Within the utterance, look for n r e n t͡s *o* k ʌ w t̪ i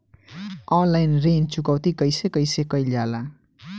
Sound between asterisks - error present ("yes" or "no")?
yes